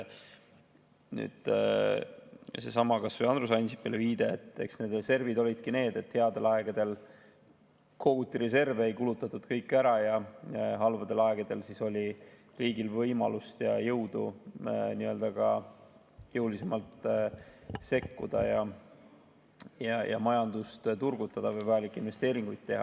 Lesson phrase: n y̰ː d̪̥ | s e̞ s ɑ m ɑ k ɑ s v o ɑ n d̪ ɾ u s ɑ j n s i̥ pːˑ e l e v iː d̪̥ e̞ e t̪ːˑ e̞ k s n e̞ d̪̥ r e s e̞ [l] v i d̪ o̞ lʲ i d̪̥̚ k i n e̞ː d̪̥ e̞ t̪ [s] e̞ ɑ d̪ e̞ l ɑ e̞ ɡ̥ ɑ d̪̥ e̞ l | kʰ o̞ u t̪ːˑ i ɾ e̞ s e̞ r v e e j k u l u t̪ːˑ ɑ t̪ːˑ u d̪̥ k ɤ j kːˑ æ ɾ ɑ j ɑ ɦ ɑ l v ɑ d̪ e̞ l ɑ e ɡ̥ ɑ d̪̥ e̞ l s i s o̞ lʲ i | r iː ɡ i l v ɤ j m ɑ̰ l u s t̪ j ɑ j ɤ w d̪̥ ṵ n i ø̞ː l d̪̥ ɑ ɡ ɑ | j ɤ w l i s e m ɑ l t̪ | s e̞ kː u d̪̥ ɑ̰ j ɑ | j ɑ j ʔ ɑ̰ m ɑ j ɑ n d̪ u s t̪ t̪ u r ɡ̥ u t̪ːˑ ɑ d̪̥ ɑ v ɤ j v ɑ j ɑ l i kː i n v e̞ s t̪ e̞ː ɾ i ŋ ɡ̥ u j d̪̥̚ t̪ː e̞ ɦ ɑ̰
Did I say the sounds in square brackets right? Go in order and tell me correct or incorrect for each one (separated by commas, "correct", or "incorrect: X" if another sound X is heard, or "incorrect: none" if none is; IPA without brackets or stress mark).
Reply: incorrect: r, incorrect: h